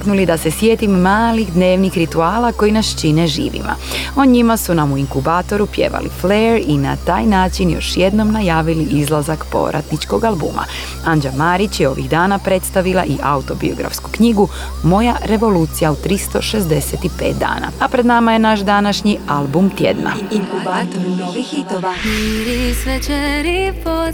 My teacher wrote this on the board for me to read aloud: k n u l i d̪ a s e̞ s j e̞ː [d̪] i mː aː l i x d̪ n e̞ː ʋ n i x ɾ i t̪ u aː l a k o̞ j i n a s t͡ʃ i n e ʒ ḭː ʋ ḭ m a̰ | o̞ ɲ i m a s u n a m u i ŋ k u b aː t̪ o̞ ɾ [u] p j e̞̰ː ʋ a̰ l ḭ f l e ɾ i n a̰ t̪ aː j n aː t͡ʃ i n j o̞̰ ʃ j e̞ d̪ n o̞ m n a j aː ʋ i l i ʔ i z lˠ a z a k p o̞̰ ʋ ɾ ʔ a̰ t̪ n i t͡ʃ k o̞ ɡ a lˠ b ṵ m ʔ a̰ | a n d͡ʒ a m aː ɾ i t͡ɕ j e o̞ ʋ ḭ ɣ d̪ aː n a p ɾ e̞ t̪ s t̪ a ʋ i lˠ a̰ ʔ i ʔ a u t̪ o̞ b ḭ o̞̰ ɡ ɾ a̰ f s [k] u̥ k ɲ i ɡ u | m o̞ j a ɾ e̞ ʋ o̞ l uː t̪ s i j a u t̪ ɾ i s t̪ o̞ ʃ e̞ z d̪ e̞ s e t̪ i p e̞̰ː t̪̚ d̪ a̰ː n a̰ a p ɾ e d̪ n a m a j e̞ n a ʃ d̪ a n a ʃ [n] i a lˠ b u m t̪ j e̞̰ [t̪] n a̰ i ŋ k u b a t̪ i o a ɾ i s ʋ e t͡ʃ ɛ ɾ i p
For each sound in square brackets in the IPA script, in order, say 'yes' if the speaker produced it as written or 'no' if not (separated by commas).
no, yes, yes, no, no